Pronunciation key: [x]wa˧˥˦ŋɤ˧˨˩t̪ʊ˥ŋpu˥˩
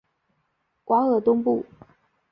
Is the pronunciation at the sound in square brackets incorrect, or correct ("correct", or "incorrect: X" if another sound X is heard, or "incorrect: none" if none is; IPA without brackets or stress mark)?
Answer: incorrect: k